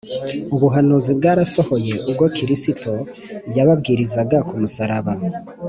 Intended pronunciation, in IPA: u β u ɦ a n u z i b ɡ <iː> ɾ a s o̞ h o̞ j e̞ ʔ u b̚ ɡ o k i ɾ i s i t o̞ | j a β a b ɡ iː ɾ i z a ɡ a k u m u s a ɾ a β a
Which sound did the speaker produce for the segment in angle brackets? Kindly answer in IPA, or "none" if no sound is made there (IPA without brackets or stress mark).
aː